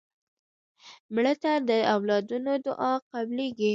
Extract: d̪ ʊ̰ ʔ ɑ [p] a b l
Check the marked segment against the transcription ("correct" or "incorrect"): incorrect